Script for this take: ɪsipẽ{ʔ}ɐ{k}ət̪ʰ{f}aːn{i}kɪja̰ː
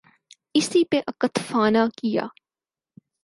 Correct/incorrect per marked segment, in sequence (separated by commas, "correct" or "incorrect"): correct, correct, correct, incorrect